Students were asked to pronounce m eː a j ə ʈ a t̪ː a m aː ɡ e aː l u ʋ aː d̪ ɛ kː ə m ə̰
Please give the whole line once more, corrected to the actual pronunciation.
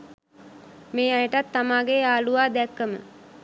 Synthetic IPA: m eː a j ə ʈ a t̪ː a m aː ɡ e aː l u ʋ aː d̪ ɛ kː ə m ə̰